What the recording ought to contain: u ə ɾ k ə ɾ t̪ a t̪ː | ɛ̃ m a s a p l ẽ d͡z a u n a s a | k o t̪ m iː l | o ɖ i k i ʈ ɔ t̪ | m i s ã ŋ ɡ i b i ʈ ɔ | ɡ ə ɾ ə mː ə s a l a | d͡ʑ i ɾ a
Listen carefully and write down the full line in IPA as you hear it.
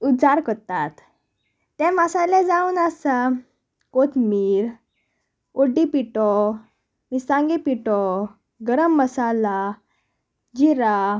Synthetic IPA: u a ɾ k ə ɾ t̪ a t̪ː | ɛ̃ m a s a l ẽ d͡z a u n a s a | k o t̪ m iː ɾ | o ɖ i p i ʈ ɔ | m i s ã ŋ ɡ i p i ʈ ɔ | ɡ ə ɾ ə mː ə s a l a | d͡ʑ i ɾ a

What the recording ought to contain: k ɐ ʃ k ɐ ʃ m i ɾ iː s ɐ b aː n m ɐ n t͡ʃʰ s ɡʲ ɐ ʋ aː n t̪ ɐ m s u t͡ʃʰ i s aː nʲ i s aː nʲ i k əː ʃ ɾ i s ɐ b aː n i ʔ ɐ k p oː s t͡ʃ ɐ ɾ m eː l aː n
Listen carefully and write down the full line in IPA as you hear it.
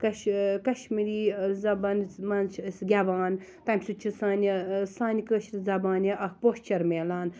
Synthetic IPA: k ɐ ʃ k ɐ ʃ m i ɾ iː z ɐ b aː n m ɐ n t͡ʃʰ s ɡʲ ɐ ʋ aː n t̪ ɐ m s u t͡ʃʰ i s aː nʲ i s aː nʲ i k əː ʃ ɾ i z ɐ b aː n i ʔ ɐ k p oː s t͡ʃ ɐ ɾ m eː l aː n

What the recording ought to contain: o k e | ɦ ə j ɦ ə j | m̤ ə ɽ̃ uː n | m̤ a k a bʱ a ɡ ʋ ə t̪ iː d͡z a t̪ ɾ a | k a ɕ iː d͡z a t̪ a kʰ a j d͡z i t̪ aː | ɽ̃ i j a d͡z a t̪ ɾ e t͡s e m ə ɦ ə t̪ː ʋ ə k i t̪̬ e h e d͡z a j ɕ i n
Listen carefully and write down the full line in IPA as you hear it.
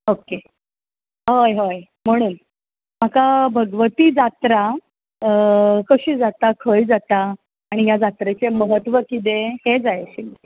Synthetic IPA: o k e | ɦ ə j ɦ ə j | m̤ ə ɽ̃ uː n | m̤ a k a bʱ ə ɡ ʋ ə t̪ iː d͡z a t̪ ɾ a | k ə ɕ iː d͡z a t̪ a kʰ ə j d͡z a t̪ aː | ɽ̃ i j a d͡z a t̪ ɾ e t͡s e m ə ɦ ə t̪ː ʋ ə k i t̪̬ e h e d͡z a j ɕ i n

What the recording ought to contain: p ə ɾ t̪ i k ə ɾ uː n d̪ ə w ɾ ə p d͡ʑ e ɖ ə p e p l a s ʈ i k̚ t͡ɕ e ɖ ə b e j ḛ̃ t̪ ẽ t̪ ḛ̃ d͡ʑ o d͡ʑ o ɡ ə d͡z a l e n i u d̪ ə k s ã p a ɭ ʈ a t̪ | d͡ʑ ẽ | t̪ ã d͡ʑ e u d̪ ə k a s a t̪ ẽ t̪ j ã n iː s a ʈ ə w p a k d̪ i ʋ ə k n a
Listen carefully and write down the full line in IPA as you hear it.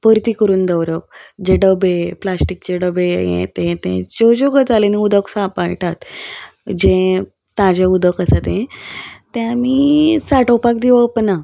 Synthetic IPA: p ə ɾ t̪ i k ə ɾ uː n d̪ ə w ɾ ə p d͡ʑ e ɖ ə b e p l a s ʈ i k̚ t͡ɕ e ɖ ə b e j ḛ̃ t̪ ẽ t̪ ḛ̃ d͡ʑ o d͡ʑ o ɡ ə d͡z a l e n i u d̪ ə k s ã p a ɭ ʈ a t̪ | d͡ʑ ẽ | t̪ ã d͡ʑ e u d̪ ə k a s a t̪ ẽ t̪ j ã m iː s a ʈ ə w p a k d̪ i ʋ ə p n a

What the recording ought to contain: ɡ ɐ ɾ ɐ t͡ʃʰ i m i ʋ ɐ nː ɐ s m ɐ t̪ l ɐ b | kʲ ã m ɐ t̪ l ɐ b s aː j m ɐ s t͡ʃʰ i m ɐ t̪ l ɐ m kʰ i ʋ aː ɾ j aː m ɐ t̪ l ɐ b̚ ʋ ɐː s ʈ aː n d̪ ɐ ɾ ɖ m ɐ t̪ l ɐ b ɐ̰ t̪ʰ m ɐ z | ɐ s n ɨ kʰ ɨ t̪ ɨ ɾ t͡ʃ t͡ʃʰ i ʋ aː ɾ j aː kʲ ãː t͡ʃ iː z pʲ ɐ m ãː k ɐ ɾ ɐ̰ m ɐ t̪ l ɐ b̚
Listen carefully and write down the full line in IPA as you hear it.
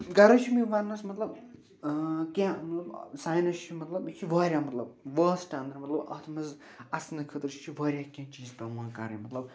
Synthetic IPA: ɡ ɐ ɾ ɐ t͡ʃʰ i m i ʋ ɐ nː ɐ s m ɐ t̪ l ɐ b | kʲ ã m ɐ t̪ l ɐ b s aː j n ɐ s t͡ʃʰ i m ɐ t̪ l ɐ b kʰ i ʋ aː ɾ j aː m ɐ t̪ l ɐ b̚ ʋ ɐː s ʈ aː n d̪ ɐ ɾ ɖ m ɐ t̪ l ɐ b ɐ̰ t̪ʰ m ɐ z | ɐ s n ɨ kʰ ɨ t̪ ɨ ɾ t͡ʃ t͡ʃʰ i ʋ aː ɾ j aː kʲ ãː t͡ʃ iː z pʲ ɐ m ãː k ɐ ɾ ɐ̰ m ɐ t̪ l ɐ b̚

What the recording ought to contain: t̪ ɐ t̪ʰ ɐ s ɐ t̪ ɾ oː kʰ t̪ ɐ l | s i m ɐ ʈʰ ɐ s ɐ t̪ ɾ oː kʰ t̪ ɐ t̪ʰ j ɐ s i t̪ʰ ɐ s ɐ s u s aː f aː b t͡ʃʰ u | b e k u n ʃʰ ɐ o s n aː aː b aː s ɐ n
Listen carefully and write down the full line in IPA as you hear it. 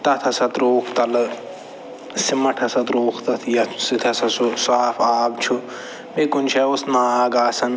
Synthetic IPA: t̪ ɐ t̪ʰ ɐ s ɐ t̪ ɾ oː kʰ t̪ ɐ l | s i m ɐ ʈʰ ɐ s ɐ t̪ ɾ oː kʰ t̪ ɐ t̪ʰ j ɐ s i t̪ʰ ɐ s ɐ s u s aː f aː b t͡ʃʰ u | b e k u n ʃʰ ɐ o s n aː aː ɡ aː s ɐ n

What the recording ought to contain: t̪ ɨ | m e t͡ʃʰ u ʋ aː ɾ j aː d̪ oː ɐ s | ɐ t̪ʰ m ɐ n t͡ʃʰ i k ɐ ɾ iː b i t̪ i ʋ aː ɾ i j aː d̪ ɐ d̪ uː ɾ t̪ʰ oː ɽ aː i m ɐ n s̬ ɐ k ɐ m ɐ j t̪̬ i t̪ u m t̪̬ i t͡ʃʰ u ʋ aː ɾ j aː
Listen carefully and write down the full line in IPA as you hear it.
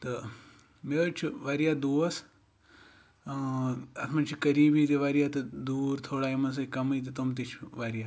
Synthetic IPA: t̪ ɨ | m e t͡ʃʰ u ʋ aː ɾ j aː d̪ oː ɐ s | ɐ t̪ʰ m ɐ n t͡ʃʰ i k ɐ ɾ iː b i t̪ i ʋ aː ɾ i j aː t̪ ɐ d̪ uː ɾ t̪ʰ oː ɽ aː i m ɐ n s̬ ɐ k ɐ m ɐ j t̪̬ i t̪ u m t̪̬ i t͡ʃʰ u ʋ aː ɾ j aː

